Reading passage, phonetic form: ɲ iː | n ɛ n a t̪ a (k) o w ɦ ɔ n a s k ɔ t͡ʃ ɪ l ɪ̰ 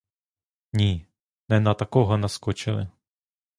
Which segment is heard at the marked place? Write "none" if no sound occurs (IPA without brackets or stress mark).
k